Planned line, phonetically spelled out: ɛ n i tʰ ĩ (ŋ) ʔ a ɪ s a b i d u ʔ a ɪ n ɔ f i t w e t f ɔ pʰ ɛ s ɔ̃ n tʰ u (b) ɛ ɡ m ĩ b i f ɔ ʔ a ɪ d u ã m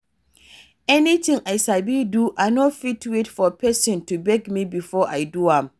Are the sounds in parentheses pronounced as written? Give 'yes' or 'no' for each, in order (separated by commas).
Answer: yes, yes